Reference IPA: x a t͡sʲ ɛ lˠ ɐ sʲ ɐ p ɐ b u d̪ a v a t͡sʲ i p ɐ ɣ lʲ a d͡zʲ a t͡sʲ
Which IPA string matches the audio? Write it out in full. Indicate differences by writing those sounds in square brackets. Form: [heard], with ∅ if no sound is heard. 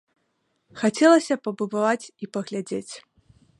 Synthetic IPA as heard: x a t͡sʲ ɛ lˠ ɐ sʲ ɐ p ɐ b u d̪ a v a t͡sʲ i p ɐ ɣ lʲ a d͡zʲ [e] t͡sʲ